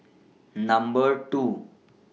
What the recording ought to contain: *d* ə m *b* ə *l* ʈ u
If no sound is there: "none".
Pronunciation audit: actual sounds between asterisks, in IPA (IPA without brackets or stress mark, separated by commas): n, b, ɾ